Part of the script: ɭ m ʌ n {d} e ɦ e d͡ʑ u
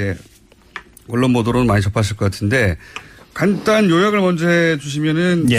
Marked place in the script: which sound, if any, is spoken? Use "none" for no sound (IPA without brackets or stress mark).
d͡ʑ